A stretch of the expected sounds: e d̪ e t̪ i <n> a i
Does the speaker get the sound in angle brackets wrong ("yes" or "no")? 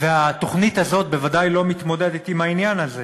yes